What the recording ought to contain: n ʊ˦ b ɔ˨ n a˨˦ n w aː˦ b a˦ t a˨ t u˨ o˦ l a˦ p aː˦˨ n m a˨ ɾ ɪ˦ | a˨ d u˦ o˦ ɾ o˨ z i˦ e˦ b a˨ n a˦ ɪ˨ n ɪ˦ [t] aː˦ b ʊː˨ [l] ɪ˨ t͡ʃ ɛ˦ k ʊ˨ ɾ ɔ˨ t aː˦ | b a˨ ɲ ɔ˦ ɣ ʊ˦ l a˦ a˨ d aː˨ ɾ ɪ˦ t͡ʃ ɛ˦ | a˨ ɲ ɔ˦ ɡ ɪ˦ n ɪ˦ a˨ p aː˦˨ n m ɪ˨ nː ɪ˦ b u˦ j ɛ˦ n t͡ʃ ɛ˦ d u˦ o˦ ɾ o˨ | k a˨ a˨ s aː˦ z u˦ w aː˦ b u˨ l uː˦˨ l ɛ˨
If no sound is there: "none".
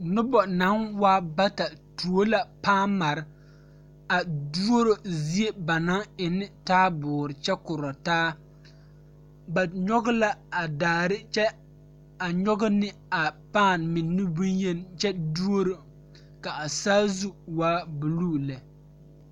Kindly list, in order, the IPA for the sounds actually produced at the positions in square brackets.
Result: t, ɾ

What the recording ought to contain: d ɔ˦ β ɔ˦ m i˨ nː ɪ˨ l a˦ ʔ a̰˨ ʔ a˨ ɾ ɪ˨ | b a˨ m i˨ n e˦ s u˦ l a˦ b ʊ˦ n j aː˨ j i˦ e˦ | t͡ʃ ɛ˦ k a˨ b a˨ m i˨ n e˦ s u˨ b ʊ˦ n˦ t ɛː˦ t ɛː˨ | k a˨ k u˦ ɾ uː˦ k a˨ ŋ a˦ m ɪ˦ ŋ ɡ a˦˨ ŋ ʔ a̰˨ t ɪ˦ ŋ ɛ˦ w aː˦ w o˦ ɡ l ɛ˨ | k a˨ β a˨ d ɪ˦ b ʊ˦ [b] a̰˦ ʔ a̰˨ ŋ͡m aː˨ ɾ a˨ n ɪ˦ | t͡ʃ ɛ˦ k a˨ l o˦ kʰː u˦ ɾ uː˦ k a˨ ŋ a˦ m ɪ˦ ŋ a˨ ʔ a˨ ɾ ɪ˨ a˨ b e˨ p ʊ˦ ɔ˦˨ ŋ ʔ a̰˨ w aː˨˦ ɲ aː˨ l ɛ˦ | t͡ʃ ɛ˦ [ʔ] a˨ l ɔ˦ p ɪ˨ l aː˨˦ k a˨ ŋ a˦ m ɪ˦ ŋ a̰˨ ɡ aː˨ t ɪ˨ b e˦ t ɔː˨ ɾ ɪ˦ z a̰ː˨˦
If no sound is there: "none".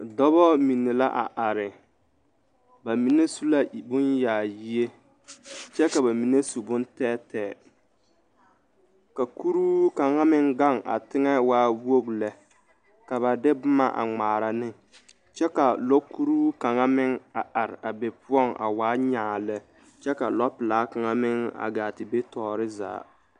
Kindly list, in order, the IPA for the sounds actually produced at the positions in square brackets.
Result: m, k

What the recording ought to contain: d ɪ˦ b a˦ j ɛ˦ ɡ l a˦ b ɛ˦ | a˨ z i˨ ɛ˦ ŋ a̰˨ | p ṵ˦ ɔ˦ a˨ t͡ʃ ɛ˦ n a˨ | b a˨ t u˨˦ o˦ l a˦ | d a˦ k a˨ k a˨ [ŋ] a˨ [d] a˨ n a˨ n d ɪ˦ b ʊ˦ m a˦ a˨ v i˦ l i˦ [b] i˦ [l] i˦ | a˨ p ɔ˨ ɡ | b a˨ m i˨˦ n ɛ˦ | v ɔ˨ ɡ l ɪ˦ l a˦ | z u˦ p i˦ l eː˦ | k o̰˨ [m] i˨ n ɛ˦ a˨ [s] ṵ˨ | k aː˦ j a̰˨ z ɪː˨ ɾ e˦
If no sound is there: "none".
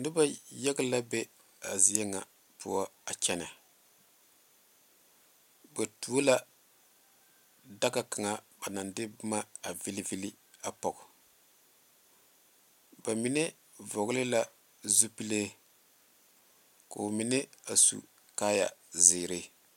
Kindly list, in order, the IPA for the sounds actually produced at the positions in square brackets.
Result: ŋ, b, v, l, m, s

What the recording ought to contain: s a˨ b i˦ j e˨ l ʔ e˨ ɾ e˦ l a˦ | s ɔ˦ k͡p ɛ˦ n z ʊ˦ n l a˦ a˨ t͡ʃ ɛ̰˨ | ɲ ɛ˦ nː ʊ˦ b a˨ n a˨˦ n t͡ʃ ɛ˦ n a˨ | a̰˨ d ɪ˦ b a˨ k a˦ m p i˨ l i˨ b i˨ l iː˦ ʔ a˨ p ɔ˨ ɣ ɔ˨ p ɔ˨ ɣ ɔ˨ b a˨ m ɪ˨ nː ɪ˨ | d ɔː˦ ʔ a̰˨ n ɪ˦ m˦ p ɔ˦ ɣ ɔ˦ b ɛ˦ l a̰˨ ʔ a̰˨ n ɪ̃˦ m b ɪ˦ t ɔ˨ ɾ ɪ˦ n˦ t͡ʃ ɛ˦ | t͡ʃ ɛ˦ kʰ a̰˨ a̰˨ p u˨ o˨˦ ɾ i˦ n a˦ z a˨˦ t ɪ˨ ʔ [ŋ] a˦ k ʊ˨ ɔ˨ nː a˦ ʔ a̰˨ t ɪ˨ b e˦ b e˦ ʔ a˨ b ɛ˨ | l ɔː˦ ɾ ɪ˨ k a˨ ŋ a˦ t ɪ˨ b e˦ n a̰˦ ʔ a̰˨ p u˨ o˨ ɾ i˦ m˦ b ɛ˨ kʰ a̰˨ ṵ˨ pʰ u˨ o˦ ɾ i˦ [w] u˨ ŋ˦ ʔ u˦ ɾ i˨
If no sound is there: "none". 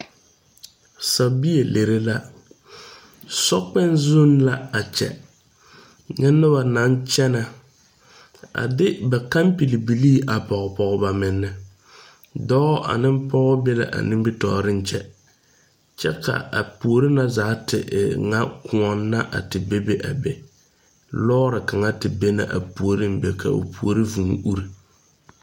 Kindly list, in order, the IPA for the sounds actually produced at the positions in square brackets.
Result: ŋ, v

